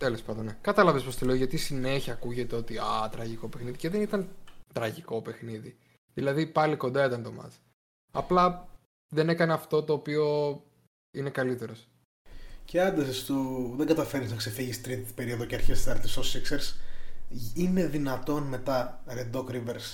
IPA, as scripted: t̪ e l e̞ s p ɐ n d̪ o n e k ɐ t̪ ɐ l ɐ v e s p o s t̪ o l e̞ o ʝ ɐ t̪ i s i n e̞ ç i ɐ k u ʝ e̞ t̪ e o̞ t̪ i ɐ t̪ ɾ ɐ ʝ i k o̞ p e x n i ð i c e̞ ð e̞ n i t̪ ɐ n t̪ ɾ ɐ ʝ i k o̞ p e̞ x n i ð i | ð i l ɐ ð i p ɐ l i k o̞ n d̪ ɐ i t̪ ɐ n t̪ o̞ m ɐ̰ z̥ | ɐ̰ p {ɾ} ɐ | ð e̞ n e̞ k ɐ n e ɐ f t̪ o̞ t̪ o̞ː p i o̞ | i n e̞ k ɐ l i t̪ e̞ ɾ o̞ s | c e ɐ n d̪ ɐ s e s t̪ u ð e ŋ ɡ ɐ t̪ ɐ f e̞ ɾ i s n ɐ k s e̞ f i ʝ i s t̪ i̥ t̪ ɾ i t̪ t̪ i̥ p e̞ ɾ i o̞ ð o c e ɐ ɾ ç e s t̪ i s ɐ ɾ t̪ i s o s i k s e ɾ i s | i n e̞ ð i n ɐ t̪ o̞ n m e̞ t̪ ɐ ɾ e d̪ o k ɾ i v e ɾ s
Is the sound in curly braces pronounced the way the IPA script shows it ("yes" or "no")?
no